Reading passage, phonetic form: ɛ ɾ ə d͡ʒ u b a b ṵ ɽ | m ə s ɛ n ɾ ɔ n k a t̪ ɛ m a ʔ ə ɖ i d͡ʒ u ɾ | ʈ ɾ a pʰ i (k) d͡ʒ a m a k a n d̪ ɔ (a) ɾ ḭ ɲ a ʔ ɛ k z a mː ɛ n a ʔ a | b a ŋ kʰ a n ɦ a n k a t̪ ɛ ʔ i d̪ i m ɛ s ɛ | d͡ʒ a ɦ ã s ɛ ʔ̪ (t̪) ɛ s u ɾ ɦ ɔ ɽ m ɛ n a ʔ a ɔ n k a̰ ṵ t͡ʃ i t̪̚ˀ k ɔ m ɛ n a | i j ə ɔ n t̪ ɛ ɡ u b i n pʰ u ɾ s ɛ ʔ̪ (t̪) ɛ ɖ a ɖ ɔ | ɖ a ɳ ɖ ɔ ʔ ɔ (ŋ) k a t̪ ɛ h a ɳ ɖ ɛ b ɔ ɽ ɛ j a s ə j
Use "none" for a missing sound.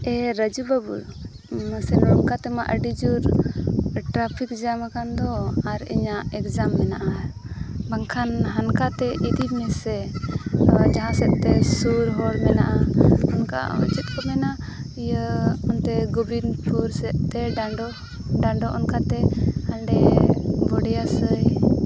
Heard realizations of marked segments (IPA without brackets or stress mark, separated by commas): k, a, t̪, t̪, n